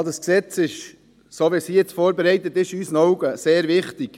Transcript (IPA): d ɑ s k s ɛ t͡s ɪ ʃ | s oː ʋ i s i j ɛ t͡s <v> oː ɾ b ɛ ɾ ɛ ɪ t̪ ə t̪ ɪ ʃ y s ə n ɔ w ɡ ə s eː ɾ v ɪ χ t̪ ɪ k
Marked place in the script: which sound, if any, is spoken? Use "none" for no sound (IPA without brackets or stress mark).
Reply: f